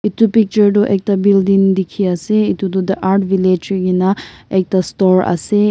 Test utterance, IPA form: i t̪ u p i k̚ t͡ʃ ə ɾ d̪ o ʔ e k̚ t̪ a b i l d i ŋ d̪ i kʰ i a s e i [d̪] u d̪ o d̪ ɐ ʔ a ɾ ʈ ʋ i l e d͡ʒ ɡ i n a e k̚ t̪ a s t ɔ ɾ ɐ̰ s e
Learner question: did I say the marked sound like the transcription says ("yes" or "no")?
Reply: no